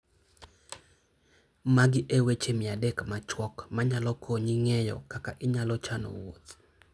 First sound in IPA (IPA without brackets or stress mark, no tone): m